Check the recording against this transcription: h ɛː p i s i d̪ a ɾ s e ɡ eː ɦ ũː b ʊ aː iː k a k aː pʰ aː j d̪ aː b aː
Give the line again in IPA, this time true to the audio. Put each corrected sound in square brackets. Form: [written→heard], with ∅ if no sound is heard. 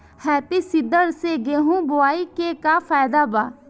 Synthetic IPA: h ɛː p i s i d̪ [a→ə] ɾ s e ɡ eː ɦ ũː b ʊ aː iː k [a→e] k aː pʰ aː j d̪ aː b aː